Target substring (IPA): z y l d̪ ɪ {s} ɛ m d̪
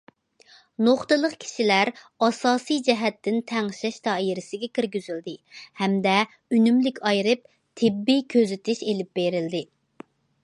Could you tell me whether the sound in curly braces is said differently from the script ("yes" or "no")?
yes